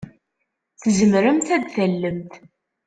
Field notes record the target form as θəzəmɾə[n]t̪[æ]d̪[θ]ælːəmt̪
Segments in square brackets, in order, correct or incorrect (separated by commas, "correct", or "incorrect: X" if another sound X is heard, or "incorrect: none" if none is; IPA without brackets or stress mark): incorrect: m, correct, correct